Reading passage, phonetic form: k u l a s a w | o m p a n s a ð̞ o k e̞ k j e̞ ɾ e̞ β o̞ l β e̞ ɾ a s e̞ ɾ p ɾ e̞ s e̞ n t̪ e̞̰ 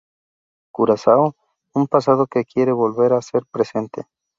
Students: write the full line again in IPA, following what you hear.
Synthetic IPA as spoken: k u ɾ a s a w | u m p a s a ð̞ o k e̞ k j e̞ ɾ e̞ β o̞ l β e̞ ɾ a s e̞ ɾ p ɾ e̞ s e̞ n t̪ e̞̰